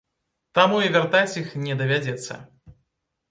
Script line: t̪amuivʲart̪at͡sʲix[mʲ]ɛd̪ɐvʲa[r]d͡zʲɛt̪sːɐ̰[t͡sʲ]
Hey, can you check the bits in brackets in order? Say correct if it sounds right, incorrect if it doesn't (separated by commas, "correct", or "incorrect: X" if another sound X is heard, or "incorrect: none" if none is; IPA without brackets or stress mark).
incorrect: nʲ, incorrect: none, incorrect: none